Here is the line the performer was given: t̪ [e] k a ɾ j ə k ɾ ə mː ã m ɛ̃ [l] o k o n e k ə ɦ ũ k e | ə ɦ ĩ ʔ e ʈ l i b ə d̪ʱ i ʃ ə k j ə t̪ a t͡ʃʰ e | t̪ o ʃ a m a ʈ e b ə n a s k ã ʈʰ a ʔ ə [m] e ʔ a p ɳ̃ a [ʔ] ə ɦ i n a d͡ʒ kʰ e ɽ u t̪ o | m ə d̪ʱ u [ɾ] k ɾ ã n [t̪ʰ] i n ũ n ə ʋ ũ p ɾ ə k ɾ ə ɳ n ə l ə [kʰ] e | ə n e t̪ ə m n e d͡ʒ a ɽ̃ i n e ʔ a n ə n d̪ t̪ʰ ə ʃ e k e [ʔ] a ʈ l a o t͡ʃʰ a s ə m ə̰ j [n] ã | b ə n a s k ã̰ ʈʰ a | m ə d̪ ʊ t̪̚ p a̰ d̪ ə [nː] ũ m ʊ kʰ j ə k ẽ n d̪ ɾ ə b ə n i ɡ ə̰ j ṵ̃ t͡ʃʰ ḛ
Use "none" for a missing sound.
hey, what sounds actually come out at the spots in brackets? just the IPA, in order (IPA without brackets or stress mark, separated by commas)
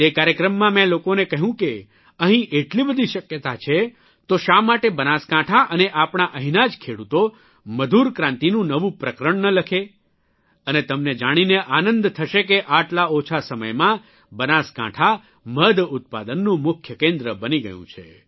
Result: e, l, n, ʔ, ɾ, t̪, kʰ, ʔ, m, nː